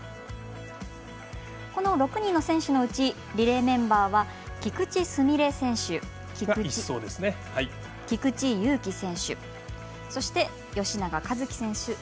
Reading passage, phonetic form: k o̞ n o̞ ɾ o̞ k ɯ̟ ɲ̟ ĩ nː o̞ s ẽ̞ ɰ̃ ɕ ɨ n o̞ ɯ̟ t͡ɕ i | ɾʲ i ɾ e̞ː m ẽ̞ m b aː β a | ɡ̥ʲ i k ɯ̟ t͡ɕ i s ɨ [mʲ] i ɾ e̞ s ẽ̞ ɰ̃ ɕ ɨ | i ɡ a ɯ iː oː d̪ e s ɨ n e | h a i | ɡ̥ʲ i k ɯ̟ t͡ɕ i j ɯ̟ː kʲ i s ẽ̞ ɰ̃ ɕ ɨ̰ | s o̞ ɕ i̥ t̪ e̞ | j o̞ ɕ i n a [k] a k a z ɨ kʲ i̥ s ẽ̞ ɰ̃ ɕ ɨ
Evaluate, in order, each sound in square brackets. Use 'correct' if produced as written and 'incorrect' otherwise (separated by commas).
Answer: correct, incorrect